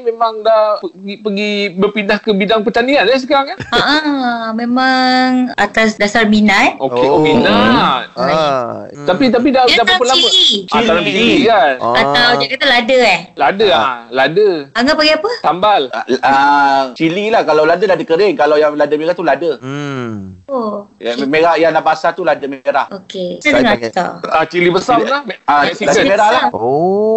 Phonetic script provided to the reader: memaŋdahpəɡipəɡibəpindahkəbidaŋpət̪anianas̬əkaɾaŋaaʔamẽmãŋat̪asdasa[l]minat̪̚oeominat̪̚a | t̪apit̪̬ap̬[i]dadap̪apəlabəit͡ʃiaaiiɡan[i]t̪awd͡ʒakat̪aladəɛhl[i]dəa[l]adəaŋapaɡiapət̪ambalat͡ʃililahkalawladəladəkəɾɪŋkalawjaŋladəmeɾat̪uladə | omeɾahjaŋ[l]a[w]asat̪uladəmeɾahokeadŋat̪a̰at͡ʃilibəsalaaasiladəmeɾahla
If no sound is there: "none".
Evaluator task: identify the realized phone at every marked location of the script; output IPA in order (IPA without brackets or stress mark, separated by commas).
r, i, a, a, l, l, b